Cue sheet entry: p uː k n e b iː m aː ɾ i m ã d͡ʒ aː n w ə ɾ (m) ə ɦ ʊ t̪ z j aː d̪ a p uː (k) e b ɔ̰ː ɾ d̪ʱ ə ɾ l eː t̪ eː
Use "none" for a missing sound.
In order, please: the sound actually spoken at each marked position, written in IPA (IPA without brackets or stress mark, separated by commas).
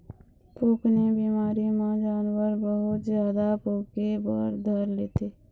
b, k